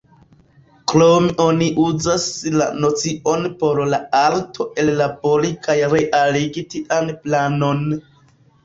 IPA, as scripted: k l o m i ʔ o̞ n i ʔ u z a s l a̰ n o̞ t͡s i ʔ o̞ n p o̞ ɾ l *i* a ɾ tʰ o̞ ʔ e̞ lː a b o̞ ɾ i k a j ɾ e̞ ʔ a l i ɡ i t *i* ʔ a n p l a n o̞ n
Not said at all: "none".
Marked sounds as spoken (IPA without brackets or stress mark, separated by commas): a, i